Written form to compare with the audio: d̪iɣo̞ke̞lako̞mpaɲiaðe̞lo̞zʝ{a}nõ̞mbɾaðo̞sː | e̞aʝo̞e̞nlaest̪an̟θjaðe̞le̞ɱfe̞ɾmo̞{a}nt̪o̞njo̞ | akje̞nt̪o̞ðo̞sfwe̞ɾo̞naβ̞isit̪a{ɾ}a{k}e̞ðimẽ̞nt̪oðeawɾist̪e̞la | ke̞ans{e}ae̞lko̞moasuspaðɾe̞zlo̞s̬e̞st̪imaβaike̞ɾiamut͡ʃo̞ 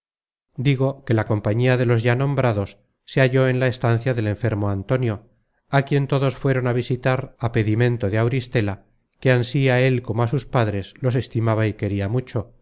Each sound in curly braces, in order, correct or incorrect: correct, correct, correct, incorrect: p, incorrect: i

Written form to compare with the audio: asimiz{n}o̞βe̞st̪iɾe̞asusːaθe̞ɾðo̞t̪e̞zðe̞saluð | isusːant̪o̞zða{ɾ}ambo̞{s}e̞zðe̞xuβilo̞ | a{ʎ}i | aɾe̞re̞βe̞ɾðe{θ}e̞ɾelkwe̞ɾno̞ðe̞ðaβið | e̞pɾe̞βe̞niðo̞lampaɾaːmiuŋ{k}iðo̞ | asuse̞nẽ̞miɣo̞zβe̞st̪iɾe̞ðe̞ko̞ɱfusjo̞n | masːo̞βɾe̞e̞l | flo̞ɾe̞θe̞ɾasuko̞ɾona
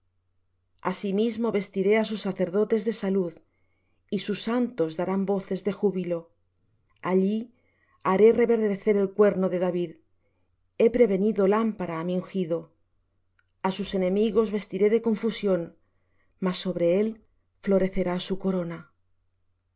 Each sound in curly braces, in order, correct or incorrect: incorrect: m, correct, incorrect: θ, correct, correct, incorrect: x

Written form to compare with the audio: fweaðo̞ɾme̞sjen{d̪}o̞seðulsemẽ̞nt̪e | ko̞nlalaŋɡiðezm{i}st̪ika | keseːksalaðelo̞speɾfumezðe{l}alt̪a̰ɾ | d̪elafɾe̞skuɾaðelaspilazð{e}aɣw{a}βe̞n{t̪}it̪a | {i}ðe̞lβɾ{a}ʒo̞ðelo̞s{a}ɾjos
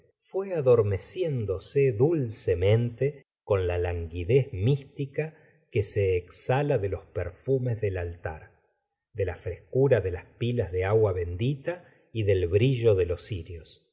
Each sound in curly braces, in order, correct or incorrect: correct, correct, correct, correct, correct, incorrect: d̪, correct, incorrect: i, incorrect: i

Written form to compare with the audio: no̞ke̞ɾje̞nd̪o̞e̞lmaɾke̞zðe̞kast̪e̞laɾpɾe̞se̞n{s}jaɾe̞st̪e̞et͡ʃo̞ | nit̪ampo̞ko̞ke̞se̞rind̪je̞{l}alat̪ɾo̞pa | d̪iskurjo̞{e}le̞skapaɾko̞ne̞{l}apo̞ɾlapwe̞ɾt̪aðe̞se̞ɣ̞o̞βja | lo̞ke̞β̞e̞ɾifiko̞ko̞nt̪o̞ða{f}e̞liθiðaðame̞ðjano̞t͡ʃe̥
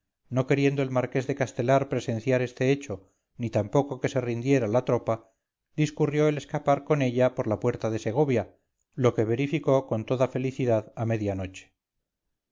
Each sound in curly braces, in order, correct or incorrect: incorrect: θ, incorrect: ɾ, correct, incorrect: ʎ, correct

